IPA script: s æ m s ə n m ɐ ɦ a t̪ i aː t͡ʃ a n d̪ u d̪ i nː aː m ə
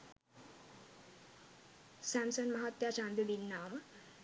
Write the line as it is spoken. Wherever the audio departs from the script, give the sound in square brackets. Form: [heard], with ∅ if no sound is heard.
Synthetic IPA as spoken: s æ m s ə n m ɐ ɦ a t̪ [j] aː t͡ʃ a n d̪ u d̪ i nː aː m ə